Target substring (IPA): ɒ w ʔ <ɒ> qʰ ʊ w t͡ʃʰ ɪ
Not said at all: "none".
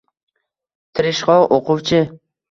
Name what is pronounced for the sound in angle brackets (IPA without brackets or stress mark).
o